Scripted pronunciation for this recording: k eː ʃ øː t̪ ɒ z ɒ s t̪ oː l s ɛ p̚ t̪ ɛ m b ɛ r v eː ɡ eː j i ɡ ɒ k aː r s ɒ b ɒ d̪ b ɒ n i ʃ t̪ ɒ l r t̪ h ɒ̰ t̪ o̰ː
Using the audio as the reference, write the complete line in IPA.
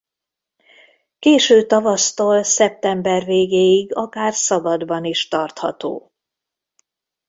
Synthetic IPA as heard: k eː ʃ øː t̪ ɒ v ɒ s t̪ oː l s ɛ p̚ t̪ ɛ m b ɛ r v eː ɡ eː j i ɡ ɒ k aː r s ɒ b ɒ d̪ b ɒ n i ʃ t̪ ɒ r t̪ h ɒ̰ t̪ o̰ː